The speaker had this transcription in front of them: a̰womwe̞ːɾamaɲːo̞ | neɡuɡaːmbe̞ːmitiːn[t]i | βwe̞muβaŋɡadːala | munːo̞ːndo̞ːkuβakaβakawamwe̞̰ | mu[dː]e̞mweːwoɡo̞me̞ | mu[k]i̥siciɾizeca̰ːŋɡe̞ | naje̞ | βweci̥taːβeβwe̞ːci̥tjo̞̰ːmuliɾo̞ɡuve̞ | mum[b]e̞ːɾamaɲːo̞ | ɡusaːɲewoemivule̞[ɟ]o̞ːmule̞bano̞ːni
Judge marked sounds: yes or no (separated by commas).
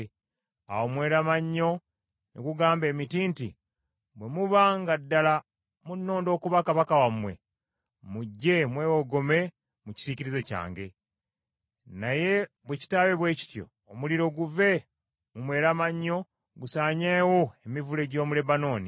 yes, no, no, no, yes